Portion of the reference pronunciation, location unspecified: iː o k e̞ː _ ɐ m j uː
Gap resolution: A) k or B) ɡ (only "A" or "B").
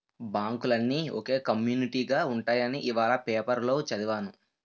A